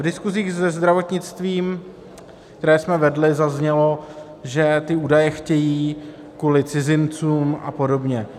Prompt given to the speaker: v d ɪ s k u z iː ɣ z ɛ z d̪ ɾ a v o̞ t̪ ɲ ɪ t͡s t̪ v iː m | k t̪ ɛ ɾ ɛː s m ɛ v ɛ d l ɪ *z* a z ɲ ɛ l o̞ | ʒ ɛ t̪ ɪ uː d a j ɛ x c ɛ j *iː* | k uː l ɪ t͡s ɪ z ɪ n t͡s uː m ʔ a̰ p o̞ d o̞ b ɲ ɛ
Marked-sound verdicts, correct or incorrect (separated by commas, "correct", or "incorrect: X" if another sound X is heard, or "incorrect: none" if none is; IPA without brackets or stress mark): correct, correct